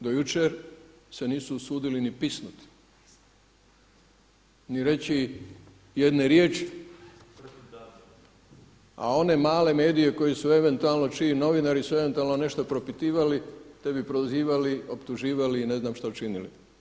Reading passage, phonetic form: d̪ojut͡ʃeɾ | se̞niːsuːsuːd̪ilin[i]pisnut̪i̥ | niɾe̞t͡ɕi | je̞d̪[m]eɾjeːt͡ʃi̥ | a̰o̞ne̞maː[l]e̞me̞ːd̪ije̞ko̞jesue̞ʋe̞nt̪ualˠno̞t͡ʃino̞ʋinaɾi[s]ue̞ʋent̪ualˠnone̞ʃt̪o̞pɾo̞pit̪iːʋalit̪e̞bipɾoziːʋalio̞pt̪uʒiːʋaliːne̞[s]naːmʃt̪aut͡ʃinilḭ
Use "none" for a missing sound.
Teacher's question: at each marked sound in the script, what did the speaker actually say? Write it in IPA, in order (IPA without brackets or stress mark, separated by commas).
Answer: i, n, l, s, z